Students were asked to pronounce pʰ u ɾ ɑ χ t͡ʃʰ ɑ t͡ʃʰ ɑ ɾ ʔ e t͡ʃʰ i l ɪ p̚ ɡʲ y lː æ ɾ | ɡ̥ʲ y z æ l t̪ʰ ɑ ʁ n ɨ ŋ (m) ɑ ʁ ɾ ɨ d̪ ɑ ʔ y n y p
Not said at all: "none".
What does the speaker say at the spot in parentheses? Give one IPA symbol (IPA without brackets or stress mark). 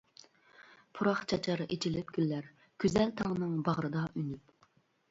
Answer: b